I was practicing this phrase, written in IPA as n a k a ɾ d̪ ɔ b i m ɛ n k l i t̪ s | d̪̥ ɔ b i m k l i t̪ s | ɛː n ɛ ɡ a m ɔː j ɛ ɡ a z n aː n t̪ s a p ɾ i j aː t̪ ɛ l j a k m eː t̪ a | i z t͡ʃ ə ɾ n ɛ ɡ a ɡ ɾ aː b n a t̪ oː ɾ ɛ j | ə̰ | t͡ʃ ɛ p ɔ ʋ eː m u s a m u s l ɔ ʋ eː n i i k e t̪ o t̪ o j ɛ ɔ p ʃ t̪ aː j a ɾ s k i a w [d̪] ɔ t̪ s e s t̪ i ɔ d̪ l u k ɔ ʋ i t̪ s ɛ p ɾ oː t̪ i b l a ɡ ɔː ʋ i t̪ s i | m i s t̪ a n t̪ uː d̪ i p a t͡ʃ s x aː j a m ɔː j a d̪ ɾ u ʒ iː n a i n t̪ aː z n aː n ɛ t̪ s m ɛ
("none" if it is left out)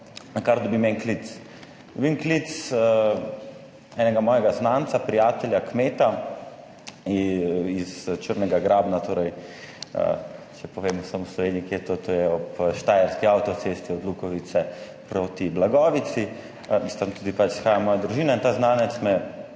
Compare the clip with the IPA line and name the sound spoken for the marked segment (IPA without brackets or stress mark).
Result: t̪